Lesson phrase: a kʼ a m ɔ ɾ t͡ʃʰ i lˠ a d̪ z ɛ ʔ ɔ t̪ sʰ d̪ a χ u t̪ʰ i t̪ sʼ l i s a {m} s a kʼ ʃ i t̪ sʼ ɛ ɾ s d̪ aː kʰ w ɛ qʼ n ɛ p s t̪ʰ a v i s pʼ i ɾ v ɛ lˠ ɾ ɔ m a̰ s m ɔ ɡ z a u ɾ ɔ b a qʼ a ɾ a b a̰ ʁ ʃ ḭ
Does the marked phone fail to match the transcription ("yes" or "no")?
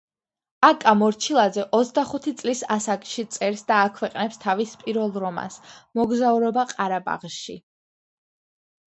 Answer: yes